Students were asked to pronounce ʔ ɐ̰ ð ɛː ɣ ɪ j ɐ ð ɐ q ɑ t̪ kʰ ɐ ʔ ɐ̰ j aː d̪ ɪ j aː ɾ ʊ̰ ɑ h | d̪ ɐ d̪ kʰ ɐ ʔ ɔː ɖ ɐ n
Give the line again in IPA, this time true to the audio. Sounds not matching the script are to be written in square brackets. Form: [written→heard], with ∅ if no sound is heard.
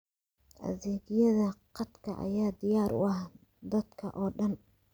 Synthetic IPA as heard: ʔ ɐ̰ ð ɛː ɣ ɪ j ɐ ð ɐ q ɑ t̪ kʰ ɐ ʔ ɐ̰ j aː d̪ ɪ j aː ɾ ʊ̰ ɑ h | d̪ ɐ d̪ kʰ ɐ ʔ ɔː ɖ ɐ n